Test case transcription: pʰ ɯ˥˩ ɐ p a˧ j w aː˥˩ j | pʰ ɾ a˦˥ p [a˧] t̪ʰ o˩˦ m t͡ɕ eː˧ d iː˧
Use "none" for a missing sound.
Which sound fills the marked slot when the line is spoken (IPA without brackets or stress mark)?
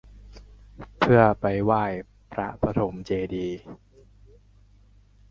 a˧